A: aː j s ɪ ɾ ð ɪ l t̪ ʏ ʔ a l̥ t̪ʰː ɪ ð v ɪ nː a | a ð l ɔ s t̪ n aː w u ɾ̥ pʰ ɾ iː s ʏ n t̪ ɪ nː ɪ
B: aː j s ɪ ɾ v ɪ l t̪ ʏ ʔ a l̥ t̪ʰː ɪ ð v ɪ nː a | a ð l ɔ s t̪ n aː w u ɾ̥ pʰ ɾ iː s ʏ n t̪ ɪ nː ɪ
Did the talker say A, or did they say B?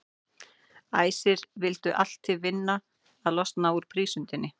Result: B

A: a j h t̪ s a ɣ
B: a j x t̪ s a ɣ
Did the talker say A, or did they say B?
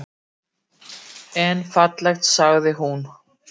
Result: B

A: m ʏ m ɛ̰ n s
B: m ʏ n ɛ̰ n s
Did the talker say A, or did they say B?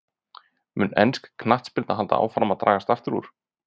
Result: B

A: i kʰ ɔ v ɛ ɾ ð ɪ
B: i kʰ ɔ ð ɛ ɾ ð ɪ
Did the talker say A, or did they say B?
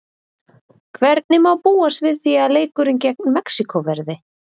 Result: A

